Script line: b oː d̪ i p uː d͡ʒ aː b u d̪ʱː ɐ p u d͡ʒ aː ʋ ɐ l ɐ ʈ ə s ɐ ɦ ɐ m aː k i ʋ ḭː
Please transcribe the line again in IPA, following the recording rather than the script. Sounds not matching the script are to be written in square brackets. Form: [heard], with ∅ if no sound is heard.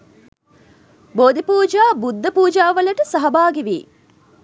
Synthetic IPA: b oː d̪ i p uː d͡ʒ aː b u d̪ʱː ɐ p [uː] d͡ʒ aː ʋ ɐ l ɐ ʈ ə s ɐ ɦ ɐ [b] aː [ɡ] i ʋ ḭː

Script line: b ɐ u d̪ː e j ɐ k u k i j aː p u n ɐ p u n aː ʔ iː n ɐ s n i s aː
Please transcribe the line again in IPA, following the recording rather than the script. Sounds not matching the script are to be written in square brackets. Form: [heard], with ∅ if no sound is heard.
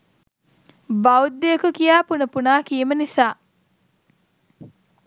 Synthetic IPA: b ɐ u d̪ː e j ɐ k u k i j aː p u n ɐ p u n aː [k] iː [m] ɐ [∅] n i s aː

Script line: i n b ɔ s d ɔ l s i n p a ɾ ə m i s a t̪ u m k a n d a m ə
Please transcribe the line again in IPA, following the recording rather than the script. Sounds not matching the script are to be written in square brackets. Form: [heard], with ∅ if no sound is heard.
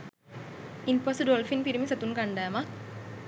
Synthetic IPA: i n [p] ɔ s d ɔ l [f] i n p [i] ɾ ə m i s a t̪ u [n] k a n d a m [a]

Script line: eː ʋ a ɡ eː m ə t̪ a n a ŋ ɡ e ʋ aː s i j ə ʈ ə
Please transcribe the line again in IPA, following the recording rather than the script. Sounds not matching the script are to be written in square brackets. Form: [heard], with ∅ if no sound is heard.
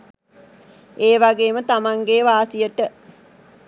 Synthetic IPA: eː ʋ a ɡ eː m ə t̪ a [m] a ŋ ɡ e ʋ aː s i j ə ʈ ə

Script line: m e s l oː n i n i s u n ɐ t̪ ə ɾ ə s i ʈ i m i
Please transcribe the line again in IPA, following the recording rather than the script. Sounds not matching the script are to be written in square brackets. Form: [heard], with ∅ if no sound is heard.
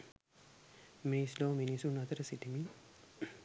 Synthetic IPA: m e s l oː [m] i n i s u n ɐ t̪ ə ɾ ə s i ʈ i m i

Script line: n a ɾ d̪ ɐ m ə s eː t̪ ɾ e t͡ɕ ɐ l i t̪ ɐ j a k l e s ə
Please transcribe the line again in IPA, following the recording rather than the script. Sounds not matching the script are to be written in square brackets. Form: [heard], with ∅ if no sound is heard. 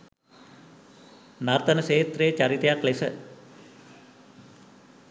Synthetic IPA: n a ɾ [t̪] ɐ [n] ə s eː t̪ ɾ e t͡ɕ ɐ [ɾ] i t̪ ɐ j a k l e s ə

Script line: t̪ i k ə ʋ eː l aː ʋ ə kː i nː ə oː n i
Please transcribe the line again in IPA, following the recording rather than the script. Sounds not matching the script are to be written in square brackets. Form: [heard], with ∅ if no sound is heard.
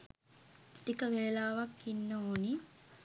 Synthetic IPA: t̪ i k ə ʋ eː l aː ʋ [a] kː i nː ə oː n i

